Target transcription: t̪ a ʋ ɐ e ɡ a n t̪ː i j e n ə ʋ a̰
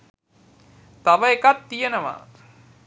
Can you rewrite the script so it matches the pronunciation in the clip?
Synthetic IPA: t̪ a ʋ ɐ e k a t̪ː i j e n ə ʋ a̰